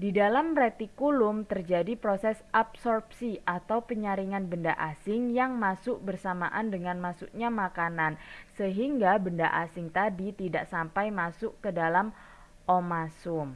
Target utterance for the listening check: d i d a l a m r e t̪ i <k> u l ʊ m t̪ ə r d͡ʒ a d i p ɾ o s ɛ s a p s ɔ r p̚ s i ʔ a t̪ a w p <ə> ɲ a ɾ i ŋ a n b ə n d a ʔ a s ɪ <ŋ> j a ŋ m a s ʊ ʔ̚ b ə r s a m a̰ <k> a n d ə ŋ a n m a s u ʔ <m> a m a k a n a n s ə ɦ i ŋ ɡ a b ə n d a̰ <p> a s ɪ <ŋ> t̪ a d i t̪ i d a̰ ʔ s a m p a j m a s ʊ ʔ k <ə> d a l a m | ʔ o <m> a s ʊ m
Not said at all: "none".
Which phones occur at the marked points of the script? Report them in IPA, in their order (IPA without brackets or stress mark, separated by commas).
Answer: k, ə, ŋ, ʔ, ɲ, ʔ, ŋ, ə, m